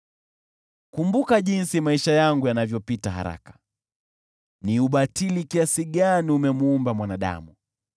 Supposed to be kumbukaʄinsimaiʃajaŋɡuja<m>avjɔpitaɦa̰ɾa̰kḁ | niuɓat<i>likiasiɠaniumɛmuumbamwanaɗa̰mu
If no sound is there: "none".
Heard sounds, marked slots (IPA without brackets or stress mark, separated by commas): n, i